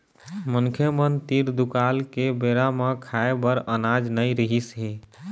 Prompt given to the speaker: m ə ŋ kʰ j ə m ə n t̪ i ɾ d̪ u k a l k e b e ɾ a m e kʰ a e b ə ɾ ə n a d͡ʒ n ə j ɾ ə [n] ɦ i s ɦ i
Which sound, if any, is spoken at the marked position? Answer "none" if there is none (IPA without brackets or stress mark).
none